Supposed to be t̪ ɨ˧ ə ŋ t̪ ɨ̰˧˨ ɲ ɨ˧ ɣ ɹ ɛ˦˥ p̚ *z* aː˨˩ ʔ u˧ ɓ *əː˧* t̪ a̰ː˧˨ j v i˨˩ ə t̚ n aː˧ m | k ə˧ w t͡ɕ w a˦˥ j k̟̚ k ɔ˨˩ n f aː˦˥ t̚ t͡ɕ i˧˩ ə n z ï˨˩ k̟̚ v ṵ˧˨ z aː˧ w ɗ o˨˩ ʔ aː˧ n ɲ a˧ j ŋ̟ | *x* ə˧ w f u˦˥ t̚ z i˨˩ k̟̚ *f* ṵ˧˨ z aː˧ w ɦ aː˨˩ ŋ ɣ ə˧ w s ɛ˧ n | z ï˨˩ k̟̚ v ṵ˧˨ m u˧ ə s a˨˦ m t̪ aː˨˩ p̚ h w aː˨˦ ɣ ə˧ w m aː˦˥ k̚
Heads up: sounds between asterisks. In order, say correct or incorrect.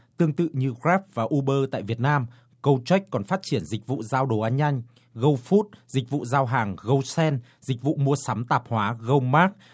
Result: incorrect, correct, incorrect, incorrect

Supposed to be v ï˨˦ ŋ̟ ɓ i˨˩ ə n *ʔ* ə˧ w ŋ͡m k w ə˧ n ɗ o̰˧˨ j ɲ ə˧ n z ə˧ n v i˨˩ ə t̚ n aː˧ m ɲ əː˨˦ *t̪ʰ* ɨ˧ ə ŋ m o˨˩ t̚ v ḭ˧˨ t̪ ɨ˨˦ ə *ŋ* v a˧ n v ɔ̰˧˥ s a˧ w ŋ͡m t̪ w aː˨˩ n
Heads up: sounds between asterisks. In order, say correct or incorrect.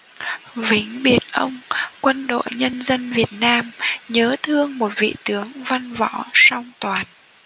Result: correct, correct, correct

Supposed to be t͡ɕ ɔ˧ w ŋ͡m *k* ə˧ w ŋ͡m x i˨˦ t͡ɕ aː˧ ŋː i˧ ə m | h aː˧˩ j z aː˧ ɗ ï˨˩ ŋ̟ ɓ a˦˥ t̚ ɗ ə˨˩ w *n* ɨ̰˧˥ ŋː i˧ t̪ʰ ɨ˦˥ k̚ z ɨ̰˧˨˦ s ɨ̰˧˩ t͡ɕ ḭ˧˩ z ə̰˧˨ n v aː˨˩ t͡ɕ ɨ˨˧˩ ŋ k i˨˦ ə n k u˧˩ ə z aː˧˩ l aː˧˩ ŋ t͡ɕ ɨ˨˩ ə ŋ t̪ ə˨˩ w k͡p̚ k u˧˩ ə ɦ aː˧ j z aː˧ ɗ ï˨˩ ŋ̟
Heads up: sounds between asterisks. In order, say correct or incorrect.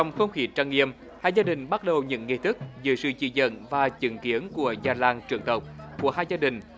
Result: incorrect, incorrect

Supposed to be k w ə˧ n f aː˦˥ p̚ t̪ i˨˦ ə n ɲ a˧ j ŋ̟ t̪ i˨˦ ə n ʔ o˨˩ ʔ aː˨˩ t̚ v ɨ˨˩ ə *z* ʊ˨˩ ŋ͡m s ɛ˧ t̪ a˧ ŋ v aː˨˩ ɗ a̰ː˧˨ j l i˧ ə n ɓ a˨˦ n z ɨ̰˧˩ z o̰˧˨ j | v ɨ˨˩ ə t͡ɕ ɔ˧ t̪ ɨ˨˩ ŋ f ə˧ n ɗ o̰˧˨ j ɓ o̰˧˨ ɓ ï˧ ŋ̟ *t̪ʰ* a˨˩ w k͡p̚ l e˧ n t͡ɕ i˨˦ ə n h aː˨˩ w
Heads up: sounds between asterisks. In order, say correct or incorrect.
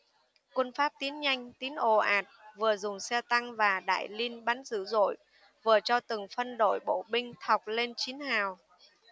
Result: correct, correct

